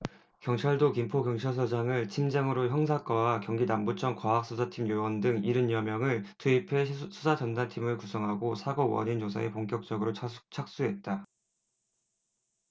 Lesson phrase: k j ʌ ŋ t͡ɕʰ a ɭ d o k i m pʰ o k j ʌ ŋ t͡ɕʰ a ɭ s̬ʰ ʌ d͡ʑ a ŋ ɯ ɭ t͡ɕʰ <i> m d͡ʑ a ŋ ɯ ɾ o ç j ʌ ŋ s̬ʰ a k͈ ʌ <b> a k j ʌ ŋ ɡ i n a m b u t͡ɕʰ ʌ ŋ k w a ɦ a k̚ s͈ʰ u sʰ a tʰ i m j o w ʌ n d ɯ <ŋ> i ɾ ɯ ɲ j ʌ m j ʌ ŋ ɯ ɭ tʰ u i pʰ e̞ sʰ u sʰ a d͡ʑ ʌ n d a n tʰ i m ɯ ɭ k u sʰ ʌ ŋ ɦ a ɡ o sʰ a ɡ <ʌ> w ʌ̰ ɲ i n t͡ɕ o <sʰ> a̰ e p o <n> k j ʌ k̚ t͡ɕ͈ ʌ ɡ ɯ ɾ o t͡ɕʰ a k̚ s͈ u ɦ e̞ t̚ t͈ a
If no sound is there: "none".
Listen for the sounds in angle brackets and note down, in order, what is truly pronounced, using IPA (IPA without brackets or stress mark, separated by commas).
i, w, ŋ, ʌ, sʰ, ŋ